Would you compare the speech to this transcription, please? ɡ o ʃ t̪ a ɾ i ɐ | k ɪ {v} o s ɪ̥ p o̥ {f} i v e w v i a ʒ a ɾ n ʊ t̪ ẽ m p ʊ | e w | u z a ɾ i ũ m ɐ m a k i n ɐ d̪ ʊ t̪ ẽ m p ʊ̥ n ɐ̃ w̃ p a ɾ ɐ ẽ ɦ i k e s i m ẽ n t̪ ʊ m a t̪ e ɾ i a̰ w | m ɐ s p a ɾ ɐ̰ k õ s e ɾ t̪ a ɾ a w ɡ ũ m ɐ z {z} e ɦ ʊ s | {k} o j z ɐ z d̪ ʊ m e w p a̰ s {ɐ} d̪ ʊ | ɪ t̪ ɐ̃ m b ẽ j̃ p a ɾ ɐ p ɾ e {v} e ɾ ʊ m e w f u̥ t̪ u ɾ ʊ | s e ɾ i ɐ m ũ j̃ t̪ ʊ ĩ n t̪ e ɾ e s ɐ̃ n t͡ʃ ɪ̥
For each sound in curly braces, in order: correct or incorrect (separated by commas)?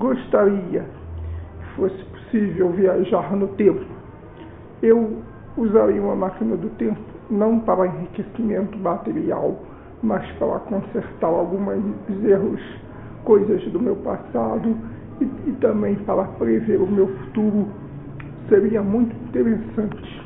incorrect, incorrect, correct, correct, incorrect, correct